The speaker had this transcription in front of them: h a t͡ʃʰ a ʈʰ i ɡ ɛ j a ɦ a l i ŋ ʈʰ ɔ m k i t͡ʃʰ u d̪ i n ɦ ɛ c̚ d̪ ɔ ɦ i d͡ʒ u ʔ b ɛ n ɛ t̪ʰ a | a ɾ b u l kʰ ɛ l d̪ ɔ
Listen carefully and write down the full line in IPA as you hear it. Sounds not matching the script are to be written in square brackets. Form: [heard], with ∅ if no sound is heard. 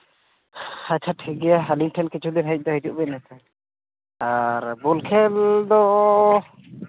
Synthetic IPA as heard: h a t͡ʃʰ a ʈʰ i ɡ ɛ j a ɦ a l i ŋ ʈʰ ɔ [n] k i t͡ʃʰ u d̪ i n ɦ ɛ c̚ d̪ ɔ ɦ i d͡ʒ u ʔ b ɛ n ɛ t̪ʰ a | a ɾ b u l kʰ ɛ l d̪ ɔ